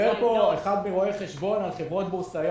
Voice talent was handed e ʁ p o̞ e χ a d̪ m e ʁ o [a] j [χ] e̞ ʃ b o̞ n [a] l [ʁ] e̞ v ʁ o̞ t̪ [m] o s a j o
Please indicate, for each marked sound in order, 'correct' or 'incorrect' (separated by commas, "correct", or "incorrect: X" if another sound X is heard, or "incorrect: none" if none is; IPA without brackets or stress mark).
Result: incorrect: e, correct, correct, incorrect: χ, incorrect: b